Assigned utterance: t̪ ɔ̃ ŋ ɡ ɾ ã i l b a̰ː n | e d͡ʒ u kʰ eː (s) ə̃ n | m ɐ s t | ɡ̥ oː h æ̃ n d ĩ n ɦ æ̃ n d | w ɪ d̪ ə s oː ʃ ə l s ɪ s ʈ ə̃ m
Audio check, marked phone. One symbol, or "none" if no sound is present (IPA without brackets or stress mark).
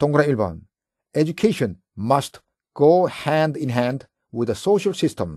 ʃ